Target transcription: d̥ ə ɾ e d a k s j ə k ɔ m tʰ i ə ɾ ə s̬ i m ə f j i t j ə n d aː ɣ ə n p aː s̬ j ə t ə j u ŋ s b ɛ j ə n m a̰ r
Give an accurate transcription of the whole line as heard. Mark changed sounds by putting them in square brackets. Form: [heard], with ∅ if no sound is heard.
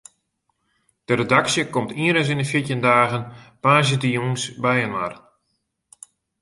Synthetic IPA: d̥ ə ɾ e d a k s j ə k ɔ m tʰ i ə ɾ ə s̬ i [n] ə f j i t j ə n d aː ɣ ə n p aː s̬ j ə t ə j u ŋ s b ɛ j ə n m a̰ r